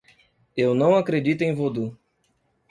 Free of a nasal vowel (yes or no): no